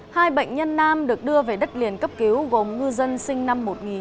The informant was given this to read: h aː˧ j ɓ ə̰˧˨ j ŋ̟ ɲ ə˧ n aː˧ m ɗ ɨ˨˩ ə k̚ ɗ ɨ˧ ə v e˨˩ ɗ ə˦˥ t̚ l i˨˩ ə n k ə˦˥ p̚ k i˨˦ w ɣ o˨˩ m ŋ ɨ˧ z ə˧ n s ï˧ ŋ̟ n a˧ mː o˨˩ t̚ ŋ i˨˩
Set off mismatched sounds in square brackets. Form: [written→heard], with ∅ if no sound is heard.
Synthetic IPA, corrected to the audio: h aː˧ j ɓ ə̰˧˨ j ŋ̟ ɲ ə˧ [n→nː] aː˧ m ɗ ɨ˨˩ ə k̚ ɗ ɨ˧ ə v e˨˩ ɗ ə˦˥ t̚ l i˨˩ ə n k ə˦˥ p̚ k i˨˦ w ɣ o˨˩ m ŋ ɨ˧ z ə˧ n s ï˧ ŋ̟ n a˧ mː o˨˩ t̚ ŋ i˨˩